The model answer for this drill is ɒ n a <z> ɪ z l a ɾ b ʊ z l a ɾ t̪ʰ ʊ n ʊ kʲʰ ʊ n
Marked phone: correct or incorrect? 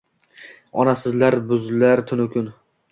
incorrect: s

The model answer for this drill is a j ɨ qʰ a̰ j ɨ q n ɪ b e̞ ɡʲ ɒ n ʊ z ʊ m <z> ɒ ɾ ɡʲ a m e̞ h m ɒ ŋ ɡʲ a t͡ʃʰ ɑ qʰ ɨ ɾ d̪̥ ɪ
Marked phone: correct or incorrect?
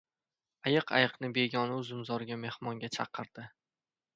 correct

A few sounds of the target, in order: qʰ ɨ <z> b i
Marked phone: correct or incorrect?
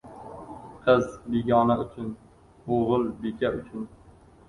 correct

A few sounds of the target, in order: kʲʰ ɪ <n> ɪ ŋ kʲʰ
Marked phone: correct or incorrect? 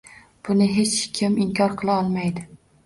incorrect: m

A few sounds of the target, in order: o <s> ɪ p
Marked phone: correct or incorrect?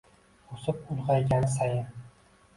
correct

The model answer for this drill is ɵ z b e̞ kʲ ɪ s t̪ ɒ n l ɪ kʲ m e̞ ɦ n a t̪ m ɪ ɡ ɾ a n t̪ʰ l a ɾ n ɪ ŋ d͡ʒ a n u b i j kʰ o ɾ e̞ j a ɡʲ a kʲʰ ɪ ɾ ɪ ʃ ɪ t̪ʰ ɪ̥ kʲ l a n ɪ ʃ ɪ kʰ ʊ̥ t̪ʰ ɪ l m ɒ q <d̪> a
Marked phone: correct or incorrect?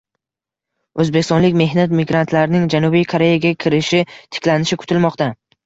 incorrect: t̪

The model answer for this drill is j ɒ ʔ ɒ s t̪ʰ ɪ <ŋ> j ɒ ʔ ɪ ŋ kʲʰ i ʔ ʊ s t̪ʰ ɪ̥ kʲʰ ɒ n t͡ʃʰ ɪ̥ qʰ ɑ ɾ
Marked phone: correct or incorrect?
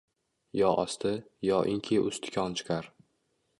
incorrect: none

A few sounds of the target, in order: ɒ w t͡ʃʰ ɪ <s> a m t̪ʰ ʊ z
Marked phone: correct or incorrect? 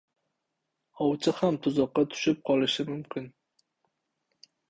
incorrect: h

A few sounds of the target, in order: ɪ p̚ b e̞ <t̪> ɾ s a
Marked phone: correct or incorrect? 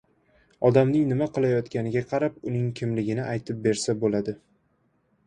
incorrect: none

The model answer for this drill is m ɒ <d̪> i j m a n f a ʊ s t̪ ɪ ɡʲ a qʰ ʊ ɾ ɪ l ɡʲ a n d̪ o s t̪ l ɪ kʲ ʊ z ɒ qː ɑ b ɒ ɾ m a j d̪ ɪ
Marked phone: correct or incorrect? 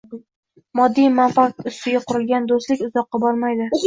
incorrect: d̪ː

